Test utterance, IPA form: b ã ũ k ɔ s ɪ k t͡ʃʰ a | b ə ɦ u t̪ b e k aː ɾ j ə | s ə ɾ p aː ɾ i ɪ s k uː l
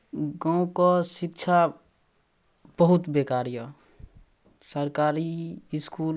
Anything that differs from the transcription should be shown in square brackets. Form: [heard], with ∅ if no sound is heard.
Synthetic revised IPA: [ɡ] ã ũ k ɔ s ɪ k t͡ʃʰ a | b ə ɦ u t̪ b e k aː ɾ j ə | s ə ɾ [k] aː ɾ i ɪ s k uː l

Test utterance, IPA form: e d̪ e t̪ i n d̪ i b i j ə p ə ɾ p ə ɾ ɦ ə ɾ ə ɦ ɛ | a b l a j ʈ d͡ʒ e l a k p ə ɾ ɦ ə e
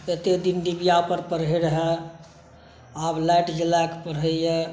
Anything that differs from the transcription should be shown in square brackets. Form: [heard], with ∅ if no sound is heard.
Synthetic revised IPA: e [t̪] e [d̪] i n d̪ i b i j [a] p ə ɾ p ə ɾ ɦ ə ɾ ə ɦ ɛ | a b l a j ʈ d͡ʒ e l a k p ə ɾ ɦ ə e

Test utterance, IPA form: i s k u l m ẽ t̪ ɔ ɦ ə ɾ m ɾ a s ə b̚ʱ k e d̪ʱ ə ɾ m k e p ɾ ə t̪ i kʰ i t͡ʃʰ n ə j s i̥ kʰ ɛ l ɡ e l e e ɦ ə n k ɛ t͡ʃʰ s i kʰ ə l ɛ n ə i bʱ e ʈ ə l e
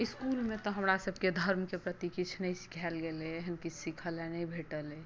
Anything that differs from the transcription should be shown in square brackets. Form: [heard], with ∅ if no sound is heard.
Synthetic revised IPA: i s k u l m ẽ t̪ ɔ ɦ ə [∅] m ɾ a s ə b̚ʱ k e d̪ʱ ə ɾ m k e p ɾ ə t̪ i [k] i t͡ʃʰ n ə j s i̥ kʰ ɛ l ɡ e l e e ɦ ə n k [i] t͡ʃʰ s i kʰ ə l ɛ n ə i bʱ e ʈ ə l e

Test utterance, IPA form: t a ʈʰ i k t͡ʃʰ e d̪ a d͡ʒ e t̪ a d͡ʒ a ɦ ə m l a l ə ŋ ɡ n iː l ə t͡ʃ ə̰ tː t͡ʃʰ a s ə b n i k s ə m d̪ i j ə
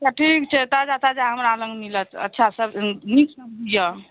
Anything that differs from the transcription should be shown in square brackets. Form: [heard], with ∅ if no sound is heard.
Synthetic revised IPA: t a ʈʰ i k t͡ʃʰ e [t̪] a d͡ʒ [a] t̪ a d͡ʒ a ɦ ə m [ɾ] a l ə ŋ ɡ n [i] l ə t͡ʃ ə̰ tː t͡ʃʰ a s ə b n i k s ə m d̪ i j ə

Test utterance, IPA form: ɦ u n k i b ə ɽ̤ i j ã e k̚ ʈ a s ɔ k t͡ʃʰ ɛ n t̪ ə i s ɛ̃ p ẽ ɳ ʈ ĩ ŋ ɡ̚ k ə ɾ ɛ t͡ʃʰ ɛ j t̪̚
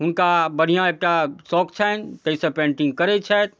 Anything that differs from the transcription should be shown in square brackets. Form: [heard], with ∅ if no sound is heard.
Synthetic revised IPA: ɦ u n k [a] b ə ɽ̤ i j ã e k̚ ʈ a s ɔ k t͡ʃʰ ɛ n t̪ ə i s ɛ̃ p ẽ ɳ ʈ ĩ ŋ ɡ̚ k ə ɾ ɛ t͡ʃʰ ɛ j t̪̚

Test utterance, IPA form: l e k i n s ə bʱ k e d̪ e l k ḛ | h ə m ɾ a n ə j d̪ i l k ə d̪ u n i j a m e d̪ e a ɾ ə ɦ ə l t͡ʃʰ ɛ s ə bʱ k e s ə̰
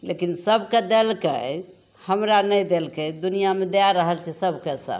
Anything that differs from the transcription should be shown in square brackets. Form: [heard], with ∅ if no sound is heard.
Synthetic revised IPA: l e k i n s ə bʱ k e d̪ e l k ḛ | h ə m ɾ a n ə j d̪ [e] l k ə d̪ u n i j a m e d̪ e a ɾ ə ɦ ə l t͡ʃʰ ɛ s ə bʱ k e s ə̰

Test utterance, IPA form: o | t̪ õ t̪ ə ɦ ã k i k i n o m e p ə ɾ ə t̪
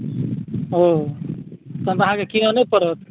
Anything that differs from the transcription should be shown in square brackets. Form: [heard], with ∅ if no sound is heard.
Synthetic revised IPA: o | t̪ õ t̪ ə ɦ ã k [e] k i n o [n] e p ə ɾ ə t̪

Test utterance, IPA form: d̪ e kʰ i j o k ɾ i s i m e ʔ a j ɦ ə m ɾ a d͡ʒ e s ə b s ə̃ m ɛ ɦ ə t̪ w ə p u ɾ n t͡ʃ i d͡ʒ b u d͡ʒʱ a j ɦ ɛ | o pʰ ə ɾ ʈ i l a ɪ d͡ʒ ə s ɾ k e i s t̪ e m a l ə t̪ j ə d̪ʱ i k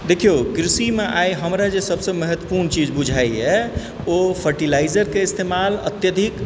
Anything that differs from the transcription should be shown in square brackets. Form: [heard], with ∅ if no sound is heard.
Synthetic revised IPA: d̪ e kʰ i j o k ɾ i s i m e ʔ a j ɦ ə m ɾ a d͡ʒ e s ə b s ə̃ m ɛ ɦ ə t̪ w ə p u ɾ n t͡ʃ i d͡ʒ b u d͡ʒʱ a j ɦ ɛ | o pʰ ə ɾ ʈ i l a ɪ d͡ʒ ə [∅] ɾ k e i s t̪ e m a l ə t̪ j ə d̪ʱ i k

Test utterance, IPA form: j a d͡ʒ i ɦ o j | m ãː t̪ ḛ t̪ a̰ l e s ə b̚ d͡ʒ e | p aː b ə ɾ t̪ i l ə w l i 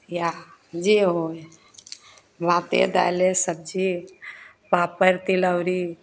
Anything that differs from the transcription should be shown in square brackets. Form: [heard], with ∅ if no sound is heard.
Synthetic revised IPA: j a d͡ʒ i ɦ o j | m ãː t̪ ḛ [d̪] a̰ l e s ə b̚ d͡ʒ [i] | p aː [p] ə ɾ t̪ i l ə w [ɾ] i

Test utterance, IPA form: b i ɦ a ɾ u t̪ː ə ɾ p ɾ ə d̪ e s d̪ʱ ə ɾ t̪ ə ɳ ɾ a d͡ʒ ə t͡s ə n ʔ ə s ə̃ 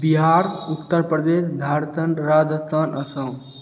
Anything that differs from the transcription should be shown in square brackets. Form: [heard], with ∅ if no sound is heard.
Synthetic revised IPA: b i ɦ a ɾ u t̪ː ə ɾ p ɾ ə d̪ e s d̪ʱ [a] ɾ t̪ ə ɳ ɾ a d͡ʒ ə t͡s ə n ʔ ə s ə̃

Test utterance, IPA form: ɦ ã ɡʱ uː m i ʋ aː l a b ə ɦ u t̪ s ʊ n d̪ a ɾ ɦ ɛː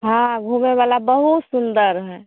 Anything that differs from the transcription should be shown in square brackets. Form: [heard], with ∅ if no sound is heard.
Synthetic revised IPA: ɦ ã ɡʱ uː m [e] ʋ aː l a b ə ɦ u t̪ s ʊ n d̪ [ə] ɾ ɦ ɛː

